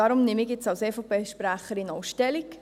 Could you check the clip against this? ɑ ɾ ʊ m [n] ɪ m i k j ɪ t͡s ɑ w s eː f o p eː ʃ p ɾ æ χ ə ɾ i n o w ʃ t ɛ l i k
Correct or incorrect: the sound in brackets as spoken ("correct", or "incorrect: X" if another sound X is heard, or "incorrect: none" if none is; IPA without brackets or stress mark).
correct